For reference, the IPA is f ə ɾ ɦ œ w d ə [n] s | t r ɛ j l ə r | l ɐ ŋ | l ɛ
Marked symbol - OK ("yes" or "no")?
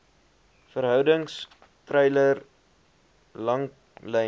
no